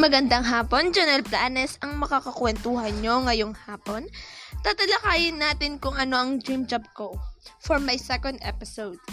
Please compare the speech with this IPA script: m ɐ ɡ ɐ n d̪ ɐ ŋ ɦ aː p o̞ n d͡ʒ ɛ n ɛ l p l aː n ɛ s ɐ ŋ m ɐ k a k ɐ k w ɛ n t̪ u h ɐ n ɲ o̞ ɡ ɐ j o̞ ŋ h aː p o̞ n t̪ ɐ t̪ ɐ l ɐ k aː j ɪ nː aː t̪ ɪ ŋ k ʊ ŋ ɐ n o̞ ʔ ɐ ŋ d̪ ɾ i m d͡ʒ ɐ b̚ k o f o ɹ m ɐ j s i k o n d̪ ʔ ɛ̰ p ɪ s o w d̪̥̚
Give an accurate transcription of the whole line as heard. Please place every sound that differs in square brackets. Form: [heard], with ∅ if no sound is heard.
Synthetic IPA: m ɐ ɡ ɐ n d̪ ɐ ŋ ɦ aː p o̞ n d͡ʒ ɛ n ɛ l p l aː n ɛ s ɐ ŋ m ɐ k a k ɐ k w ɛ n t̪ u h ɐ n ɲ o̞ [ŋ] ɐ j o̞ ŋ h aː p o̞ n t̪ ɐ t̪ ɐ l ɐ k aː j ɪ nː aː t̪ ɪ [n] k ʊ ŋ ɐ n o̞ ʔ ɐ ŋ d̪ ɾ i m d͡ʒ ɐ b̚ k o f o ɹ m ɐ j s [ɛ] k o n d̪ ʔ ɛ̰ p ɪ s o w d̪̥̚